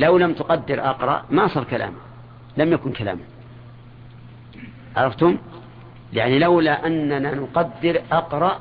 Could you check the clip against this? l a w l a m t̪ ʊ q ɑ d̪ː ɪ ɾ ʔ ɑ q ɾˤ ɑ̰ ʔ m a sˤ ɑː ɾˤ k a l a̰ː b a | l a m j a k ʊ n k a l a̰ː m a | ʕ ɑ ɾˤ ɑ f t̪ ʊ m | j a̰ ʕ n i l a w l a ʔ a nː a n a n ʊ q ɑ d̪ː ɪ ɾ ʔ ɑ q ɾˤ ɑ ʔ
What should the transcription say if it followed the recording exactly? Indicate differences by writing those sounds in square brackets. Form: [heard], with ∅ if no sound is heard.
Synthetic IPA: l a w l a m t̪ ʊ q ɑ d̪ː ɪ ɾ ʔ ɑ q ɾˤ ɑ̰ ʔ m a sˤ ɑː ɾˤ k a l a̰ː [m] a | l a m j a k ʊ n k a l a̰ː m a | ʕ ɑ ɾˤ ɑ f t̪ ʊ m | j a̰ ʕ n i l a w l a ʔ a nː a n a n ʊ q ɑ d̪ː ɪ ɾ ʔ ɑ q ɾˤ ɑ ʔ